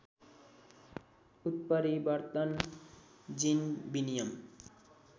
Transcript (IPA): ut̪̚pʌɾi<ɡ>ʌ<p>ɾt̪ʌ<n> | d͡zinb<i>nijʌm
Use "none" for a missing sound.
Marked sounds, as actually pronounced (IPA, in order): b, none, n, i

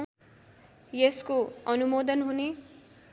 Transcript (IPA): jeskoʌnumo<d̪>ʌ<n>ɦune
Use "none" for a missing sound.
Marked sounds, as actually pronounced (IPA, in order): d̪, n

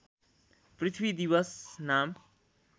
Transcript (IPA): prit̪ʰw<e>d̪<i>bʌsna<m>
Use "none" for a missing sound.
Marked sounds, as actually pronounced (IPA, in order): i, i, m

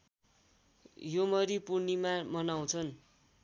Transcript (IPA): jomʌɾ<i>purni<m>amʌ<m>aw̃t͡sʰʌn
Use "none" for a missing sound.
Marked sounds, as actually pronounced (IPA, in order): i, m, n

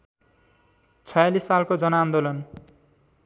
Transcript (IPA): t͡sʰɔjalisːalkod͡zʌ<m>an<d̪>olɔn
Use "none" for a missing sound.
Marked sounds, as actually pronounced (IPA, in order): n, d̪

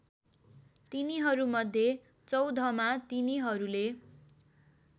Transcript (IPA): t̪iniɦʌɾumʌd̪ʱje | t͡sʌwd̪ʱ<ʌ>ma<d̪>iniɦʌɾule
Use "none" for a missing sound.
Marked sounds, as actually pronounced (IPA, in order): ʌ, t̪

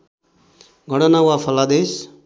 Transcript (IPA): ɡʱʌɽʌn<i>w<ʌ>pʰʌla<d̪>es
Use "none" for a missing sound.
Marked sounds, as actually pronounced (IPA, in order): a, a, d̪

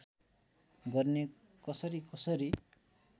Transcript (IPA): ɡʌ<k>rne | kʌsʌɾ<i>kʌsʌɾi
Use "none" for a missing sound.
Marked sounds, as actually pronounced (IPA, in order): none, i

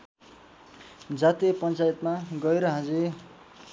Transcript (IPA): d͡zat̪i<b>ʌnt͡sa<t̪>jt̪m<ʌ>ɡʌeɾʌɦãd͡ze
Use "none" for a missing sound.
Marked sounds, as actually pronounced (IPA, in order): p, none, a

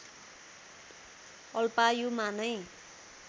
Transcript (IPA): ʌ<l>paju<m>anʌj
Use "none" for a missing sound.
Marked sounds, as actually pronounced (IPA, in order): l, m

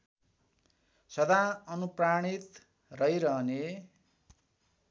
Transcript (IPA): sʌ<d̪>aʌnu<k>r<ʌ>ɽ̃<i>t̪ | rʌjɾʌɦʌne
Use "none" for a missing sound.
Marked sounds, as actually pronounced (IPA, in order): d̪, p, a, i

